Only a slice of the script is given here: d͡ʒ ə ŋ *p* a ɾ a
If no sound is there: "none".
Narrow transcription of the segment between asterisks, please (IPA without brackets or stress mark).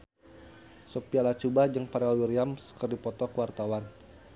p